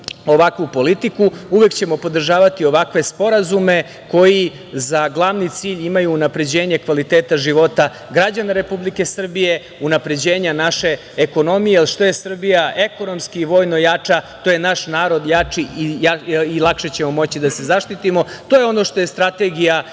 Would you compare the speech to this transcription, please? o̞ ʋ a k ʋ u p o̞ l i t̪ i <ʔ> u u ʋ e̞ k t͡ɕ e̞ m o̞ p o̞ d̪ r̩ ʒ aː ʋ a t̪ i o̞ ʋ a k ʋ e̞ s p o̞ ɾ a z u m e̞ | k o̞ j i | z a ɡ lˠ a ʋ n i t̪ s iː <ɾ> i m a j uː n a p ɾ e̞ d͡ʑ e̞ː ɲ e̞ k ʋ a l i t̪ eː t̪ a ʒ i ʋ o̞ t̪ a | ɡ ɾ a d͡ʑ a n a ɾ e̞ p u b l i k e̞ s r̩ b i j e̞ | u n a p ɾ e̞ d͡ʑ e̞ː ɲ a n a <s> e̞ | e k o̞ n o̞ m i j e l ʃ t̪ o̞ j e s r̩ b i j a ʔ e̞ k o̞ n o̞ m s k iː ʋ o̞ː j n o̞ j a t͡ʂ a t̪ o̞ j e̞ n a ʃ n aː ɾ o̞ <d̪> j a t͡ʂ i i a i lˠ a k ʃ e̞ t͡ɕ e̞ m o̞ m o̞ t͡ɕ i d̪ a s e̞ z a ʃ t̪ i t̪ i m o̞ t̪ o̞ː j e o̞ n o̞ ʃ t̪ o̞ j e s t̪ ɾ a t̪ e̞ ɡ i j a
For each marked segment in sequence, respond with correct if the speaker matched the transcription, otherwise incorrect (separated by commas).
incorrect, incorrect, incorrect, correct